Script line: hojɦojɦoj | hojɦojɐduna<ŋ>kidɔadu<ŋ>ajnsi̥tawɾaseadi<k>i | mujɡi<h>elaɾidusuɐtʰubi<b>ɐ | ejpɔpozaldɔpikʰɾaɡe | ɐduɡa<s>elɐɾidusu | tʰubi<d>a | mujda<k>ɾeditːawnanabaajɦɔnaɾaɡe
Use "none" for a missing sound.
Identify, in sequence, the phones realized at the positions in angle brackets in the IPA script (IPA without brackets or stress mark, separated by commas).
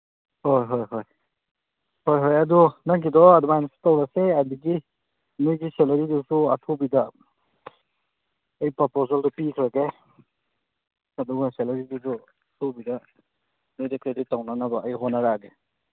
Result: ŋ, m, ɡ, s, d, s, d, k